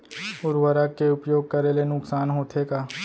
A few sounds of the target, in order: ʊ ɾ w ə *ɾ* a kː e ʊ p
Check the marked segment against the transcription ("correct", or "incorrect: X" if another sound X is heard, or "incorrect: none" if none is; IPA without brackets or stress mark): correct